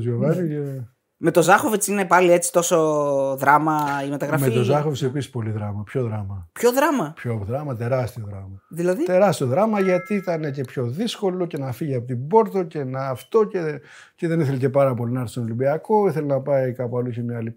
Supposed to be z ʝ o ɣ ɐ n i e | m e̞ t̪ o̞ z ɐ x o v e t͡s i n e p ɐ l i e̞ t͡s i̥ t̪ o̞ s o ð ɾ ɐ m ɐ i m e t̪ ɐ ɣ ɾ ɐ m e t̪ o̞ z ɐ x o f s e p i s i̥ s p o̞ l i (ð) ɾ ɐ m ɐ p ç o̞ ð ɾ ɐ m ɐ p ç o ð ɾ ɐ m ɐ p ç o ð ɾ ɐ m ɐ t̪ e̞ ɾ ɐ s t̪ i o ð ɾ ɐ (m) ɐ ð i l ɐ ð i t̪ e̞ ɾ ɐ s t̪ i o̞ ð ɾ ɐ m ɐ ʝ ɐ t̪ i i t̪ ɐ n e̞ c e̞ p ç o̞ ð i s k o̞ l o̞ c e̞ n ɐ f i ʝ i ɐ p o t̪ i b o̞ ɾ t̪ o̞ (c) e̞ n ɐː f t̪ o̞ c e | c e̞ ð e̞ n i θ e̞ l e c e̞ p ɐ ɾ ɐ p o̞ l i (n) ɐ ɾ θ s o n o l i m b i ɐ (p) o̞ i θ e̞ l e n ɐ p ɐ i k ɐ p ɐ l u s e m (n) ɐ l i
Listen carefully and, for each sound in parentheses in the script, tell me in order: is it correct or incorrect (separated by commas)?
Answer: correct, correct, correct, correct, incorrect, incorrect